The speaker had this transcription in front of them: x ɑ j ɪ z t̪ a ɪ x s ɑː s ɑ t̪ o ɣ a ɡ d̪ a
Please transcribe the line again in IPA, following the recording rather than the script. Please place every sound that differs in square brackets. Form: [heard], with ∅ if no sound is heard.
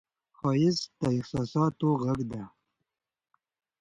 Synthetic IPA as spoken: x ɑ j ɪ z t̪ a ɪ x s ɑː s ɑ t̪ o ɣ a ɡ d̪ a